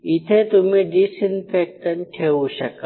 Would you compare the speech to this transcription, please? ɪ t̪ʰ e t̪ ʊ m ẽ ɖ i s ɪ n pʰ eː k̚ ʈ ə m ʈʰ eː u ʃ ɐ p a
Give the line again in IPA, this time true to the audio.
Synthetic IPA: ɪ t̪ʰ e t̪ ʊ m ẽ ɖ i s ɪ n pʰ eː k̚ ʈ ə n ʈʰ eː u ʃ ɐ k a